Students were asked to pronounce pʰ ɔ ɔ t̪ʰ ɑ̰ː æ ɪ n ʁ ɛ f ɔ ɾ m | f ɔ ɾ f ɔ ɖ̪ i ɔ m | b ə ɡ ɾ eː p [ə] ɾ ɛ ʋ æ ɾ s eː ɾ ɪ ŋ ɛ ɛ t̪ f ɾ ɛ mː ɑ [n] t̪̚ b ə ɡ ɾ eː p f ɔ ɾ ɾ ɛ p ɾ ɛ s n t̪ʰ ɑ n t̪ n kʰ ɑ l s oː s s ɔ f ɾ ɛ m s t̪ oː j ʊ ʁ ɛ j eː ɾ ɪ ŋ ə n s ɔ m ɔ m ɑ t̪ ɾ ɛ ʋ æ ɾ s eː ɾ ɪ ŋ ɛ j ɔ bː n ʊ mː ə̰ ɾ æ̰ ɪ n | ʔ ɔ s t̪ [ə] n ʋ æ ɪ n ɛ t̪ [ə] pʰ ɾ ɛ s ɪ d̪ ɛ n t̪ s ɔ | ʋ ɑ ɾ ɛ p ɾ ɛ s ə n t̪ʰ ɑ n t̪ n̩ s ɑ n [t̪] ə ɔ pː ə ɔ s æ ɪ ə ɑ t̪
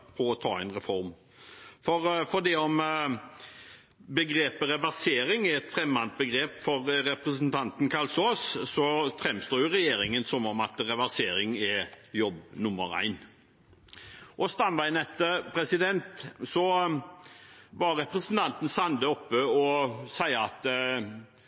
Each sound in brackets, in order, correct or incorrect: correct, correct, incorrect: ɑ, correct, incorrect: d̪

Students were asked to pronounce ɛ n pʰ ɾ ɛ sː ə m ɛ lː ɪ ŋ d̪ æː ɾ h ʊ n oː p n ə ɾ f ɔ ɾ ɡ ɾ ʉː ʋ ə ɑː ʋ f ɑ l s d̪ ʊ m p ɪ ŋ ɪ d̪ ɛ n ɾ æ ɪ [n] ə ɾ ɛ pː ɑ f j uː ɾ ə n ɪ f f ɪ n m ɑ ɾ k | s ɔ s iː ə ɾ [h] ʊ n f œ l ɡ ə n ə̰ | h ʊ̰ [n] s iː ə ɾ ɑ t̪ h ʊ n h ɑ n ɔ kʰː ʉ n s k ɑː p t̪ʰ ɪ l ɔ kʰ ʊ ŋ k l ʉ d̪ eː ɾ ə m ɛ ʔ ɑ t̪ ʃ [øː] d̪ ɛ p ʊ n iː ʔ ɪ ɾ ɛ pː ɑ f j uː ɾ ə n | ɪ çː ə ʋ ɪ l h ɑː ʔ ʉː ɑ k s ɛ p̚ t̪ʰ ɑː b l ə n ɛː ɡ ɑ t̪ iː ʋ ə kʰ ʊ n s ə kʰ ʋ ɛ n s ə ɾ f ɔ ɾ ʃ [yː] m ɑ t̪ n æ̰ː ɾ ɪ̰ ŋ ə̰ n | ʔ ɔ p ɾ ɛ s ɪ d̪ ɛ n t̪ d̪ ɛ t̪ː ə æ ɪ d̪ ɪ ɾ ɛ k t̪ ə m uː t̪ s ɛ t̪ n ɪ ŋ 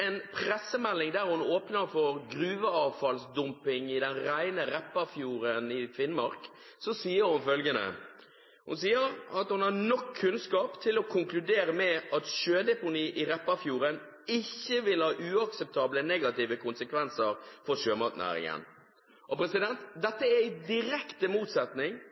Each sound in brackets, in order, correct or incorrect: correct, correct, correct, correct, incorrect: øː

